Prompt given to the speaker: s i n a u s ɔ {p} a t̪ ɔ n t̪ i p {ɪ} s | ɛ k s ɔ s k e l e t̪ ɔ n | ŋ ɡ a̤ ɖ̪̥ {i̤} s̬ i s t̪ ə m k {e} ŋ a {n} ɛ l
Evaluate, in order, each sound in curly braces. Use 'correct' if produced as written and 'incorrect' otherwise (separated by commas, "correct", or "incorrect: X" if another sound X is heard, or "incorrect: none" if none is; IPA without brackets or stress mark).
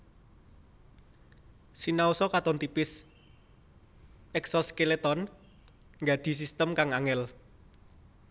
incorrect: k, correct, correct, incorrect: a, incorrect: ŋ